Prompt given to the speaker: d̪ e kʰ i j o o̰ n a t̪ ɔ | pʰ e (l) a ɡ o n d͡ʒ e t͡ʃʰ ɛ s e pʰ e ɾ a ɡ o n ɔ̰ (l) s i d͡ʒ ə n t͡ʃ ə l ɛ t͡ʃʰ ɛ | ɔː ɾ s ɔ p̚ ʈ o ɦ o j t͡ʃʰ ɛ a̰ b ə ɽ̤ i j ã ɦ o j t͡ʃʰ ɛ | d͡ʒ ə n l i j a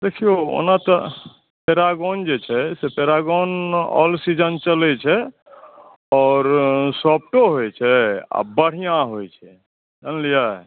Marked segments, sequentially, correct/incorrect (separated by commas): incorrect, correct